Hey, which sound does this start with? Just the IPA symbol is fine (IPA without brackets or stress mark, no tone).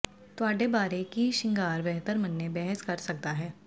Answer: t̪